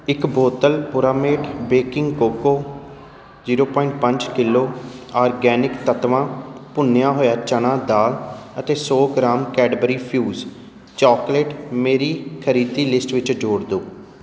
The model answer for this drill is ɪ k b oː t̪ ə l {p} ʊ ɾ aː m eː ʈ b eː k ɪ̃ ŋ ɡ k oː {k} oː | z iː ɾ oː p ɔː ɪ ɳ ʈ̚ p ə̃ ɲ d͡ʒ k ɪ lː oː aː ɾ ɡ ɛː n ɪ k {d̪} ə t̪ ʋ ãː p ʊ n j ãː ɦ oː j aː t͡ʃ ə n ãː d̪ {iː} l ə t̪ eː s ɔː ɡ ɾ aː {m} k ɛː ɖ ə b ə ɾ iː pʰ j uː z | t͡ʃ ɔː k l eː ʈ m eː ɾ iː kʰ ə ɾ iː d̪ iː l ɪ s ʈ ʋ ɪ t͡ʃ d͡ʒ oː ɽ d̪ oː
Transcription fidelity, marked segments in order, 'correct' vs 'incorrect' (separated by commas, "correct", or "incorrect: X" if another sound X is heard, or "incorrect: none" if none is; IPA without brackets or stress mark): correct, correct, incorrect: t̪, incorrect: aː, correct